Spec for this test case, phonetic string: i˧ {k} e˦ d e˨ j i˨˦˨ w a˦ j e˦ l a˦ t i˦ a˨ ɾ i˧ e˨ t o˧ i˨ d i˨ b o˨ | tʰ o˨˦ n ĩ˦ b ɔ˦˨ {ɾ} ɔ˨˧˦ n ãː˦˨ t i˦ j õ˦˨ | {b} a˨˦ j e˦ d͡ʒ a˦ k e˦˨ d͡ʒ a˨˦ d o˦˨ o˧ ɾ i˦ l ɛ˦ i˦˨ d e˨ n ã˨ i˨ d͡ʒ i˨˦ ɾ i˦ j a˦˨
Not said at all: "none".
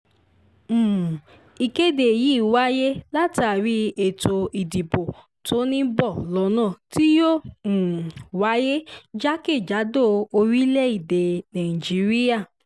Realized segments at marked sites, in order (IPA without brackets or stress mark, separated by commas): k, l, w